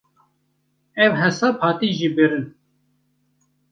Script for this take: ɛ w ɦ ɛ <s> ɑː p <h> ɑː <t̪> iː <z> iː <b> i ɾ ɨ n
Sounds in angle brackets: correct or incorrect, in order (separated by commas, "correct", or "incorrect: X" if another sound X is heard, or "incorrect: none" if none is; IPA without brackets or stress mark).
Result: correct, correct, correct, incorrect: ʒ, correct